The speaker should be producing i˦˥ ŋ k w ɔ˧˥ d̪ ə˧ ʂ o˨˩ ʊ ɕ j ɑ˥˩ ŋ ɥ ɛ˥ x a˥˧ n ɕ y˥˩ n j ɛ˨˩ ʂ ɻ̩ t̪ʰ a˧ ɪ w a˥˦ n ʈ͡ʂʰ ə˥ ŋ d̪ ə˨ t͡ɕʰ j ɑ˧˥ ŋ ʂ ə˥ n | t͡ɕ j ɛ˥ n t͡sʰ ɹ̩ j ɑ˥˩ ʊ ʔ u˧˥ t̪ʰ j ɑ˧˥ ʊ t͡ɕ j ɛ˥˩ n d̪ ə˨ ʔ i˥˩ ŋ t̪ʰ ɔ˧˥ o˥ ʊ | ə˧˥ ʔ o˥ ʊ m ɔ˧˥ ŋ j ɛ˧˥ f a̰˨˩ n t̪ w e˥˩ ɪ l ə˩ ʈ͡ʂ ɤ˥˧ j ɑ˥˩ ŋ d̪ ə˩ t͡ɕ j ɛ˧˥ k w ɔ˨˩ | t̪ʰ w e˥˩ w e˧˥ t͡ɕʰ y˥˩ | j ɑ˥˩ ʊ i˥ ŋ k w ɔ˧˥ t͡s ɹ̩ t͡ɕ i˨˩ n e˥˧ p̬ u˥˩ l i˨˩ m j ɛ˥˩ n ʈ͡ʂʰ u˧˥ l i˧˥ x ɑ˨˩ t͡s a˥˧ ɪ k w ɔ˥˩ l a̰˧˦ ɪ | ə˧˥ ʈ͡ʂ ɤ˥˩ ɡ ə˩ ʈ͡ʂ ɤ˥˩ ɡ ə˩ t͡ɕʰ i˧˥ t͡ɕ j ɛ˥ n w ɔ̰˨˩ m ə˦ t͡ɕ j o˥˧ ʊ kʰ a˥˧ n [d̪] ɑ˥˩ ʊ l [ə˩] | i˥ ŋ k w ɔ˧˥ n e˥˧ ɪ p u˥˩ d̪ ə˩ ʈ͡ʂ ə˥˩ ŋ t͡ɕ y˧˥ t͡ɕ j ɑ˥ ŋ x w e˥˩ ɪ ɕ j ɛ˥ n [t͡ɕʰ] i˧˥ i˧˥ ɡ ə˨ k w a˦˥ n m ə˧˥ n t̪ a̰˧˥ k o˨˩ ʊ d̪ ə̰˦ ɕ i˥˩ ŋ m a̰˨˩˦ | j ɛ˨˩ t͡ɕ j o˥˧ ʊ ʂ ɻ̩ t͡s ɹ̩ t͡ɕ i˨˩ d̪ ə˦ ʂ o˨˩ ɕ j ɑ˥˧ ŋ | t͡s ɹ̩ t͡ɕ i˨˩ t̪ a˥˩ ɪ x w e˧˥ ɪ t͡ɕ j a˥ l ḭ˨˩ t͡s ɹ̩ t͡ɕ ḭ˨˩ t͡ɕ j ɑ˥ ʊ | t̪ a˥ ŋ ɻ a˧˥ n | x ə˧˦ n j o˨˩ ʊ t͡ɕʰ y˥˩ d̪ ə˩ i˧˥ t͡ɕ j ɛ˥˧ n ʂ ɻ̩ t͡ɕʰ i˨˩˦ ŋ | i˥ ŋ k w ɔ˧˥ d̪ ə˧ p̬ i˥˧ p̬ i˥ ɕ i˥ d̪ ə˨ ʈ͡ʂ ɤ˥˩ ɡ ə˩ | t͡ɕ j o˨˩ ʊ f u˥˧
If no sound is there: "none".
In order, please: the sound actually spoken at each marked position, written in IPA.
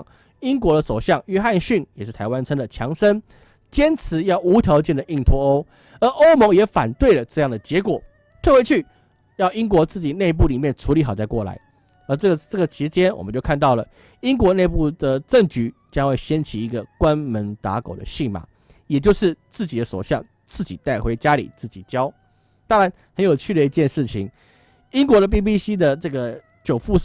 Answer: t̪, ə˩, t͡ɕʰ

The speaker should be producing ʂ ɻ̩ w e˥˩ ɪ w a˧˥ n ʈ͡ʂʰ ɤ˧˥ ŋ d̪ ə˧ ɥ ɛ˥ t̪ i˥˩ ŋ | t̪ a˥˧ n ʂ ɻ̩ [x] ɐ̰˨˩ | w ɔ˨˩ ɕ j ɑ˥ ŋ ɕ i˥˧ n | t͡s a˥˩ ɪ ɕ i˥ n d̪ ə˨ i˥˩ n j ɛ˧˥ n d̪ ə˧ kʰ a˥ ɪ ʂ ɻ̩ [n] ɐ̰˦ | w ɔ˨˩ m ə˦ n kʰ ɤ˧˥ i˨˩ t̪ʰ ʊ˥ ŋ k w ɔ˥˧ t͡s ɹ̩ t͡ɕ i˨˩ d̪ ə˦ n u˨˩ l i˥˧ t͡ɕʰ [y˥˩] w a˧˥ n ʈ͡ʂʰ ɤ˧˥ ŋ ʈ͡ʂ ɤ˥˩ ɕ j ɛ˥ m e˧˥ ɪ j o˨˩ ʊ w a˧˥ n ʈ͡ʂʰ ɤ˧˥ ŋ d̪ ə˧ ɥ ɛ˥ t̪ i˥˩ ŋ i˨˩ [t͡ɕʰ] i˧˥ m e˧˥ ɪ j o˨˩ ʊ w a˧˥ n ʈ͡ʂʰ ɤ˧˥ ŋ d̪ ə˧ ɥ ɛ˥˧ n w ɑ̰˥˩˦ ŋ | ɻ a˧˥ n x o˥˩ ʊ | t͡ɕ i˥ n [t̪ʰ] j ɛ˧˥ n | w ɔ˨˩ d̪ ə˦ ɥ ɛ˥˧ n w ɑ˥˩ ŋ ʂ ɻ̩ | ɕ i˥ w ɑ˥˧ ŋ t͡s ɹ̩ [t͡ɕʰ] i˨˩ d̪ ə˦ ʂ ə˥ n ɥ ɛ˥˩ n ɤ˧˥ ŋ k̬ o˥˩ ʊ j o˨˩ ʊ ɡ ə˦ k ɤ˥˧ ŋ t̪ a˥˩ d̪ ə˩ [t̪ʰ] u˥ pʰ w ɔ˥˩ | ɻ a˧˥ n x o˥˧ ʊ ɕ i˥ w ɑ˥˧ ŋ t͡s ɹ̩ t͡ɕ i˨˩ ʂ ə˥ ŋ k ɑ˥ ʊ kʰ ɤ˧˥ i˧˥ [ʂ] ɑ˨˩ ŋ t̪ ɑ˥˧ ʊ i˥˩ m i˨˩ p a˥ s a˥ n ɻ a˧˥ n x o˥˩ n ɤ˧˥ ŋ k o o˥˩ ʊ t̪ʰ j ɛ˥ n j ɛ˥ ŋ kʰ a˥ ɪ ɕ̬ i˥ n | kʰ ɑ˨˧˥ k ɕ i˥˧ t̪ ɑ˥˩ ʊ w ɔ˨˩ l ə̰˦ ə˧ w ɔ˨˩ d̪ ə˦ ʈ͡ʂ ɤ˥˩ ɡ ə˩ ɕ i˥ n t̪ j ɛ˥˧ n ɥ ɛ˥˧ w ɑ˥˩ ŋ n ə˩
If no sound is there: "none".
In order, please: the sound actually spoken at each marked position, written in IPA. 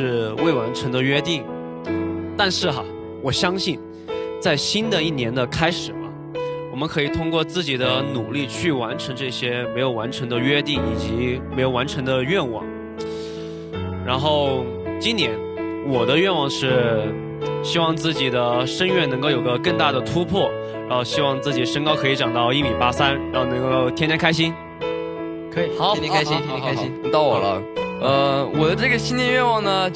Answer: x, m, y˥˩, t͡ɕ, t̪, t͡ɕ, t̪ʰ, ʈ͡ʂ

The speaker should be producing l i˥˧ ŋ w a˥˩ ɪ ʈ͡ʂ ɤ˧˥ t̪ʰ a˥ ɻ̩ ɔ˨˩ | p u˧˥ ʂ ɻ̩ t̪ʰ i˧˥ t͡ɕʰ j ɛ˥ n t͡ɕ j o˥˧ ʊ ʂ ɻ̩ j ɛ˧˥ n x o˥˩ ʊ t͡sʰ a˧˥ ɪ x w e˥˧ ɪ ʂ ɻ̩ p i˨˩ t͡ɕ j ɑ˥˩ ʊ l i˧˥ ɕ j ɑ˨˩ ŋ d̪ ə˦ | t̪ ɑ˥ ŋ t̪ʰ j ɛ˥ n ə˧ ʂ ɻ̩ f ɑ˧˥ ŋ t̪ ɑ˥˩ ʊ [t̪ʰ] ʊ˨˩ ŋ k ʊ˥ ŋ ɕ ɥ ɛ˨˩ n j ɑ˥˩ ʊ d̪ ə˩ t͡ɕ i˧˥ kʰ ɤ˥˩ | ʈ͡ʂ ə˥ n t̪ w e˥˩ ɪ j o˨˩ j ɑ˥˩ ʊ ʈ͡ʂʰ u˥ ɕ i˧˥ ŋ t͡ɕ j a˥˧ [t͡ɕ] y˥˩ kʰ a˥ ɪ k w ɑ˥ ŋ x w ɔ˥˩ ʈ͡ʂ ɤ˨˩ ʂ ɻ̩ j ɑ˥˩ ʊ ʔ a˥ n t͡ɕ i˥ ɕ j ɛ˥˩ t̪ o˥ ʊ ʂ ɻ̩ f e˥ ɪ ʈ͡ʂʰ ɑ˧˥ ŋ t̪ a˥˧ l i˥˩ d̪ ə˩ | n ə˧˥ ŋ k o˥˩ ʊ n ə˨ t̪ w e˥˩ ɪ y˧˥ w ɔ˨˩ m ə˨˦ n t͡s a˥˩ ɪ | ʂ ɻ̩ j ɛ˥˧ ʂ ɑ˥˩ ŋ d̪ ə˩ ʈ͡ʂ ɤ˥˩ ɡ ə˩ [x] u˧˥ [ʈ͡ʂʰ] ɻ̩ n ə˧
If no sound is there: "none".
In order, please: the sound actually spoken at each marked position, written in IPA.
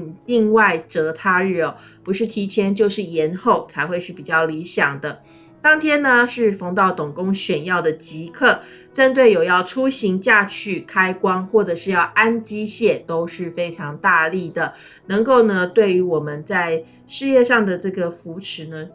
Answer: t̪, t͡ɕʰ, f, ʈ͡ʂʰ

